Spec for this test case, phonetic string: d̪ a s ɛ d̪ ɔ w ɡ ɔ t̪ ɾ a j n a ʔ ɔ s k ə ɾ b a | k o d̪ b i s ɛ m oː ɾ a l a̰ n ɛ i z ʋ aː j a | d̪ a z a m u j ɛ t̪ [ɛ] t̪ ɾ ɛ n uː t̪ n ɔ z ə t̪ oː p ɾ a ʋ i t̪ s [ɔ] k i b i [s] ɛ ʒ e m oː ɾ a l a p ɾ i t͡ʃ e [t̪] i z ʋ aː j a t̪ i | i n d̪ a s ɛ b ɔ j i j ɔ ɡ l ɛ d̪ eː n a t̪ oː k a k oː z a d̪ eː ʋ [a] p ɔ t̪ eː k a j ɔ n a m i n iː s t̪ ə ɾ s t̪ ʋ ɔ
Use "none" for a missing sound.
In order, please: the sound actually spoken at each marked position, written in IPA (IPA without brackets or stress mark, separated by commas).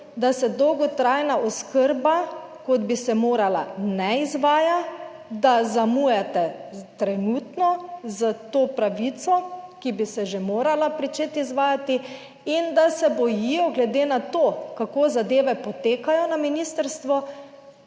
ɛ, ɔ, s, t̪, ɛ